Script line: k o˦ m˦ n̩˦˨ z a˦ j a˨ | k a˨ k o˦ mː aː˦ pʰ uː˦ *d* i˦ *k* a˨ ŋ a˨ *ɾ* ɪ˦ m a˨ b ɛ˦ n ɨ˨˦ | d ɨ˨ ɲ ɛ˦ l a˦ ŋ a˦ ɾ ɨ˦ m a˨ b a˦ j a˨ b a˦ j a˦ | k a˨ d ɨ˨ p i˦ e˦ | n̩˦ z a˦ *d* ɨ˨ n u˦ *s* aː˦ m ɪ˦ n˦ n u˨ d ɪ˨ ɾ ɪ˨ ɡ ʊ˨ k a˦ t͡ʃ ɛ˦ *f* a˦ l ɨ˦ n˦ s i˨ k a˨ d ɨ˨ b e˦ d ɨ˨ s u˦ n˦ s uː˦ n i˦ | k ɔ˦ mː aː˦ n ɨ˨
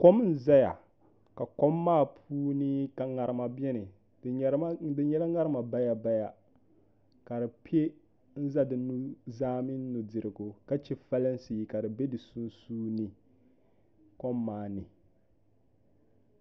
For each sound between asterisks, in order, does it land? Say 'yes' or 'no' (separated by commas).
no, yes, yes, yes, no, yes